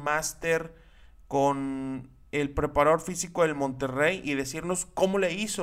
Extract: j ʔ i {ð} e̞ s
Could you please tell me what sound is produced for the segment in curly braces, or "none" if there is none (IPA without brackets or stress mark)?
ð